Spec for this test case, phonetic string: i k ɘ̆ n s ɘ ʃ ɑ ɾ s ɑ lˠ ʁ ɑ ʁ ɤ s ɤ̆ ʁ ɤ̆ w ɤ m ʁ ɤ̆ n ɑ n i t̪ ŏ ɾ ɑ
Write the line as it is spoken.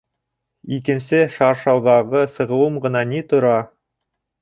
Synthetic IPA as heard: i k ɘ̆ n s ɘ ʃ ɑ ɾ ʃ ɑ lˠ ʁ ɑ ʁ ɤ s ɤ̆ ʁ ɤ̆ w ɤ m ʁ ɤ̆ n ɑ n i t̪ ŏ ɾ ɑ